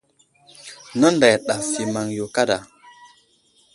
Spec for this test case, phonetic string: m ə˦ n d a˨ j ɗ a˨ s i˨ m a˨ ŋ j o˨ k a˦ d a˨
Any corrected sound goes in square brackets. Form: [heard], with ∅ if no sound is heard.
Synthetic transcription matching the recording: [n] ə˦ n d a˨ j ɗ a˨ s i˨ m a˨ ŋ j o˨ k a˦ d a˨